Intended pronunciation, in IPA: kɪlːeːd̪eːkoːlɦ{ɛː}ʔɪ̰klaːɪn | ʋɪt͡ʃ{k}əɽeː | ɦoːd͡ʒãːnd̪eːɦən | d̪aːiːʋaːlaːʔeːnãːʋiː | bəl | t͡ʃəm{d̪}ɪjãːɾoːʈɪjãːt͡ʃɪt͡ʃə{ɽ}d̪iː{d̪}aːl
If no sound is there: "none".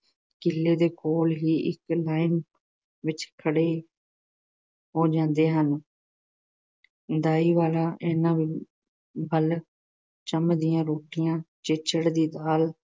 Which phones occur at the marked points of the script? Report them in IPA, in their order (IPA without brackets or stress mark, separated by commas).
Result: iː, kʰ, d̪, ɽ, d̪